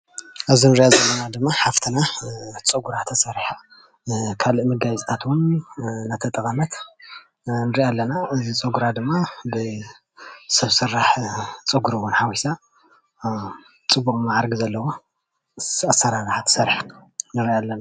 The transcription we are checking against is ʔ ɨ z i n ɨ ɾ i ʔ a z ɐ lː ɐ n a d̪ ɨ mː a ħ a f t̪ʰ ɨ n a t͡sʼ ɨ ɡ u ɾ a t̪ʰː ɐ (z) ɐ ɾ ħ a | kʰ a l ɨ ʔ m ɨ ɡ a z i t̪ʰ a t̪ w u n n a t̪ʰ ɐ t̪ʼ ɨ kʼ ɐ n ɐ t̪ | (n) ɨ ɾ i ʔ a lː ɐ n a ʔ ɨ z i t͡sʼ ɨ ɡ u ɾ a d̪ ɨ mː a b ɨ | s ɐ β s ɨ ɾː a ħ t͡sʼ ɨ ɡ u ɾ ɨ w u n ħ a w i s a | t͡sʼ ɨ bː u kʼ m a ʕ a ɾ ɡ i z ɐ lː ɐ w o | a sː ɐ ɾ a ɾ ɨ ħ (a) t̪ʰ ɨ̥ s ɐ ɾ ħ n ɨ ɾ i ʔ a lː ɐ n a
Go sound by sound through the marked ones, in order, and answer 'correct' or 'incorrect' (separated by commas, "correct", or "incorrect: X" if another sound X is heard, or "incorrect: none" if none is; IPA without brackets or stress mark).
incorrect: s, correct, correct